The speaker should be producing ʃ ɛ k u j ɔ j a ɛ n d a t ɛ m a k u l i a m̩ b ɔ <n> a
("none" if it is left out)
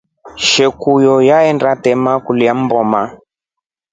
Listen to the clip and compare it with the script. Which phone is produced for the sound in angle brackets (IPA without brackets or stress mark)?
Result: m